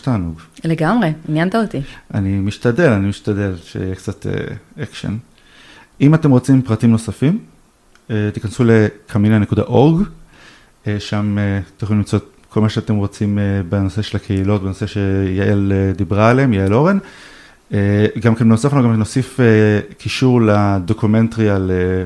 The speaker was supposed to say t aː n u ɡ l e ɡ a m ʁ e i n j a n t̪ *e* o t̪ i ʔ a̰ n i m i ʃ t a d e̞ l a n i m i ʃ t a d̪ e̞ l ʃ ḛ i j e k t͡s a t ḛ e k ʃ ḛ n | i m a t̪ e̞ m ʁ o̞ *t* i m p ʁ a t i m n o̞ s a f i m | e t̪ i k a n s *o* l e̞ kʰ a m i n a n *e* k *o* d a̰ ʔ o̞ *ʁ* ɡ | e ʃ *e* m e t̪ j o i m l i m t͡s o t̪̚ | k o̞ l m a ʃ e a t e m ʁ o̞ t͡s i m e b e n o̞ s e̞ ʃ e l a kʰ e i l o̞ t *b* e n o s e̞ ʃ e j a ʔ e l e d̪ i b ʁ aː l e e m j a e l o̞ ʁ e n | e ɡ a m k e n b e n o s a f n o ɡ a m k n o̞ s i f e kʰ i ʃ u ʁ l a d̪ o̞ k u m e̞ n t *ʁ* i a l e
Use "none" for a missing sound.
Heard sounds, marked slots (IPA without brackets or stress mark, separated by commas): a, t͡s, u, e, u, ʁ, a, b, ʁ